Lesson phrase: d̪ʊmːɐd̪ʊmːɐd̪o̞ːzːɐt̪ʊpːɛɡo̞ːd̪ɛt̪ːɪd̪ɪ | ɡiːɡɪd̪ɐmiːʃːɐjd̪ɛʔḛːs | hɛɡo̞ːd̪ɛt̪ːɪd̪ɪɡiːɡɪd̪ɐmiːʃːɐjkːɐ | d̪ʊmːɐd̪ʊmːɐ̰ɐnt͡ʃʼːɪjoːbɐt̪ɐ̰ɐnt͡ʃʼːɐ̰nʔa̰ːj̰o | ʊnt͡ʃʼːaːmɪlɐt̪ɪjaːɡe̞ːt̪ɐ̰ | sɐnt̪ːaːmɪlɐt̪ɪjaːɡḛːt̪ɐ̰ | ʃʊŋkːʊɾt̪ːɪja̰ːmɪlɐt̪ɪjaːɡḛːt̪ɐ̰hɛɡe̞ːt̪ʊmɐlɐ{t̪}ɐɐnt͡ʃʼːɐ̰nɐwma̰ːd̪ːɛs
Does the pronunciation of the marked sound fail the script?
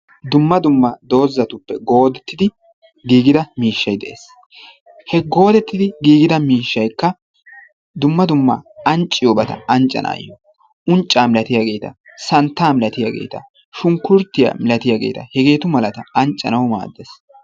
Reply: no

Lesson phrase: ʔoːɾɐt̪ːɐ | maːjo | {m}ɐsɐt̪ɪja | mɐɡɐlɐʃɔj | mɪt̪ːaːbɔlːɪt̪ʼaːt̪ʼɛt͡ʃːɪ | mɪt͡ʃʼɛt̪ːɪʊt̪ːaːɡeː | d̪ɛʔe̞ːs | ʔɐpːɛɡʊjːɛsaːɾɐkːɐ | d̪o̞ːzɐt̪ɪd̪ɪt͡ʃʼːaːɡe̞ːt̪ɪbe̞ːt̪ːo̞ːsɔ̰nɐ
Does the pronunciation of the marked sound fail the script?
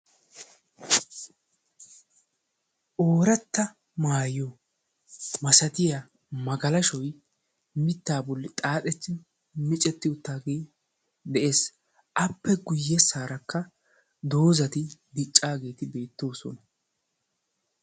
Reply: no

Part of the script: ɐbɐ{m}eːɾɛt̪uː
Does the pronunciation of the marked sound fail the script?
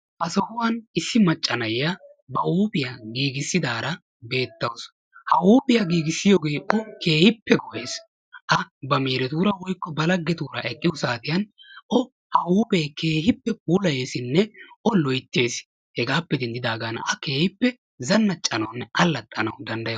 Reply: no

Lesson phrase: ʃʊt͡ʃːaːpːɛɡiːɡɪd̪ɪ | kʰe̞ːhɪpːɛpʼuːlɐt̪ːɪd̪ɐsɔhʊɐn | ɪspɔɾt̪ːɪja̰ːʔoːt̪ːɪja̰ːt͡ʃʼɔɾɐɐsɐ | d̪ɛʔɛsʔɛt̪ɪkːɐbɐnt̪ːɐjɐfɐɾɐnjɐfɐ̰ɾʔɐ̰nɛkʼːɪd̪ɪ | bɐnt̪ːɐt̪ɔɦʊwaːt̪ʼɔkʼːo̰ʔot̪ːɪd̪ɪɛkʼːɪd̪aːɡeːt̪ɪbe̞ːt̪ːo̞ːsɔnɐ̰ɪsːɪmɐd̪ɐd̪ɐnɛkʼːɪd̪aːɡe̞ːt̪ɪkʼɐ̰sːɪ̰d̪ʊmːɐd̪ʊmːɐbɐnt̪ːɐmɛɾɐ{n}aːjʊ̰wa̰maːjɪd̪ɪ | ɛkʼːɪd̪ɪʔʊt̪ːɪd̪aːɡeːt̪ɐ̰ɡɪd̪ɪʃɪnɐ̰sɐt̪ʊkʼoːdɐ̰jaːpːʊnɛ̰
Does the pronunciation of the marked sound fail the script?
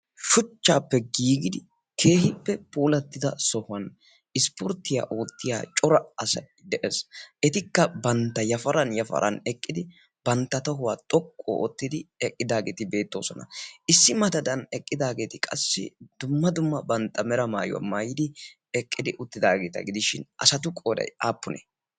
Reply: yes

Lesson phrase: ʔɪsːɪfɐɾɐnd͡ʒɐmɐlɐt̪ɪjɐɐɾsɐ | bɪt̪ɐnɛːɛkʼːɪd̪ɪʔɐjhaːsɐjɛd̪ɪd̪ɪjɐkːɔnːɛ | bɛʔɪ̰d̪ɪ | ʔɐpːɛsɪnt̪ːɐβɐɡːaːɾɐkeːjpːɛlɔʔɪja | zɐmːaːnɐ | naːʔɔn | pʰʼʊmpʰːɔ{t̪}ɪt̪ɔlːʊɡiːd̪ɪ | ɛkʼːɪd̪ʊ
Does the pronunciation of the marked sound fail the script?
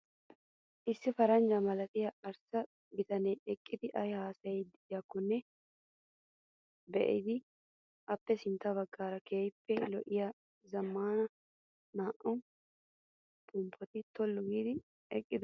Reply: no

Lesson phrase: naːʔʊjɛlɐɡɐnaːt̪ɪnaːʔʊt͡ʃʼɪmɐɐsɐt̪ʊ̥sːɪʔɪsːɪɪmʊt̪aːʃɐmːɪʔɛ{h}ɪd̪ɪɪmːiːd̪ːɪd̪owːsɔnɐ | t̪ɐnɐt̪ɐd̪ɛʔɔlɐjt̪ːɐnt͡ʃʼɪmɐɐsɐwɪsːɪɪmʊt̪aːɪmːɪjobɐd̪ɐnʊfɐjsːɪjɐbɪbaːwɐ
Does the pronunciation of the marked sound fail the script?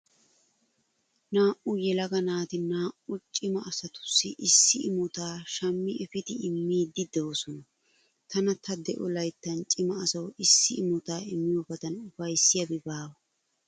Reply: yes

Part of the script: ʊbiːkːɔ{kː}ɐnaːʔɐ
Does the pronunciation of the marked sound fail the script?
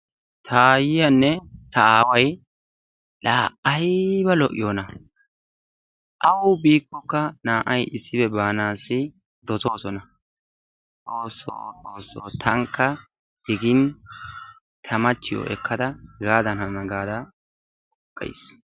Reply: no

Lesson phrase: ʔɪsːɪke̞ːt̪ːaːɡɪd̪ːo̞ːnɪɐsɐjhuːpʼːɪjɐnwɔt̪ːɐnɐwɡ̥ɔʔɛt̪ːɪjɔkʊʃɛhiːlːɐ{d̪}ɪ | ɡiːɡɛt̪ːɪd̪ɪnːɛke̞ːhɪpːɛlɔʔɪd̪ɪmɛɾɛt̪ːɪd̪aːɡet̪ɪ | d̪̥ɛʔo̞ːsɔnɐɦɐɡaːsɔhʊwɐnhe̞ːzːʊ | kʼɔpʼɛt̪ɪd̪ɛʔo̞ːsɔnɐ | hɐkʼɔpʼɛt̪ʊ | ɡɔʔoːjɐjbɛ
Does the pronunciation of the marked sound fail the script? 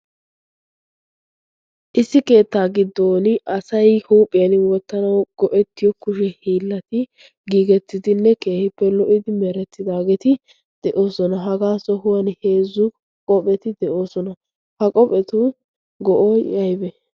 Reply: yes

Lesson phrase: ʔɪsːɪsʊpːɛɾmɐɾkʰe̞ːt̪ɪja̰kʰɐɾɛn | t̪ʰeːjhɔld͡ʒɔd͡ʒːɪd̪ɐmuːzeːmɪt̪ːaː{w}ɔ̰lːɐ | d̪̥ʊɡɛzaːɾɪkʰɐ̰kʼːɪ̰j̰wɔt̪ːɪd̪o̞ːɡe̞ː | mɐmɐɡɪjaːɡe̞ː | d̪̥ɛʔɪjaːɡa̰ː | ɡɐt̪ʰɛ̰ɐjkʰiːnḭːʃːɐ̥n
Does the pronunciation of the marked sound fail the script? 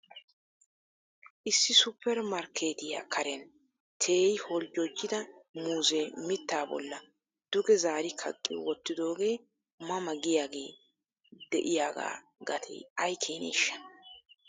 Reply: yes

